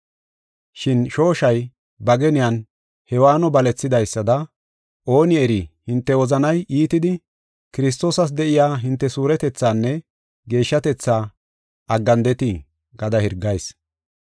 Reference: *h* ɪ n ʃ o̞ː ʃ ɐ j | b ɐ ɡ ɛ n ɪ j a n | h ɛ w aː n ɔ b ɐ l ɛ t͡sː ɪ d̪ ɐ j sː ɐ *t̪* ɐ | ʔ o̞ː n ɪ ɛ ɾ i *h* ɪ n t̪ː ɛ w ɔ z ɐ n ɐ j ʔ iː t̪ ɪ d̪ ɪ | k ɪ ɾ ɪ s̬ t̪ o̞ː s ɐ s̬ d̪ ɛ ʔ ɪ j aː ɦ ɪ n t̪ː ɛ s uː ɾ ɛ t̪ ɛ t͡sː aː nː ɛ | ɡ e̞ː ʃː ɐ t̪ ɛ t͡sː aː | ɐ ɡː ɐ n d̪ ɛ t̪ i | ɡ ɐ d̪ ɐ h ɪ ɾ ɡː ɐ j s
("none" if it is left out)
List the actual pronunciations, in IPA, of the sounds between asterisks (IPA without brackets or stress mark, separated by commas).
ʃ, d̪, h